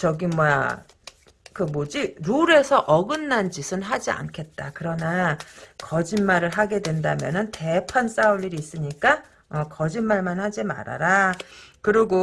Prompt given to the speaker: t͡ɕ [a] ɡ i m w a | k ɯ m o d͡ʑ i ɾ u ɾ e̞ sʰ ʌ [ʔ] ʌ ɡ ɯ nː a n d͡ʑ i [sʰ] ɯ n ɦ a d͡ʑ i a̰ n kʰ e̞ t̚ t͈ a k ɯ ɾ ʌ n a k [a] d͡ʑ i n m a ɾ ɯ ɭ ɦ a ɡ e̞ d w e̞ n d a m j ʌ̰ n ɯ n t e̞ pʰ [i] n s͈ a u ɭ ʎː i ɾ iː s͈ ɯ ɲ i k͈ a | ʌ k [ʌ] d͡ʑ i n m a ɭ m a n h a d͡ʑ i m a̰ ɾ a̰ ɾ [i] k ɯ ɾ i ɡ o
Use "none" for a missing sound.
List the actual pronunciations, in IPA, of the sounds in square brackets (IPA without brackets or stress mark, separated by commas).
ʌ, ʔ, sʰ, ʌ, a, ʌ, a